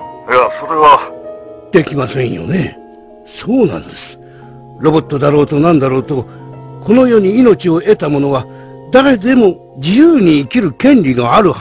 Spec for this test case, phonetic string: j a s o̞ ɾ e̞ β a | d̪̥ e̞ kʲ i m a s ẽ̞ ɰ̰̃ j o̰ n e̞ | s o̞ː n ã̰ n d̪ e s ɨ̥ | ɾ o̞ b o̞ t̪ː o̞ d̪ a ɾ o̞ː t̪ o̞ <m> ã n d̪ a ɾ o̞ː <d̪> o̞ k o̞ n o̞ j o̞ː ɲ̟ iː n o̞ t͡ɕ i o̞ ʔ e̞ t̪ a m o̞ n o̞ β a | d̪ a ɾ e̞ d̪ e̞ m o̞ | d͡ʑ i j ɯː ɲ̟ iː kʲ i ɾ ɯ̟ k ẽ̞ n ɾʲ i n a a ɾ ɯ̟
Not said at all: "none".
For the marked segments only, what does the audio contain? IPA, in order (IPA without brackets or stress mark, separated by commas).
n, t̪